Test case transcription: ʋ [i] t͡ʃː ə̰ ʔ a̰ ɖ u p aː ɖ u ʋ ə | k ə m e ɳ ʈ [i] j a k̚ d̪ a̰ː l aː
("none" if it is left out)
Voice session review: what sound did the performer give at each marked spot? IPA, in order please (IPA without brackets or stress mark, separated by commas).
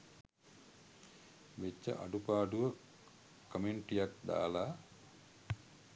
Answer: e, i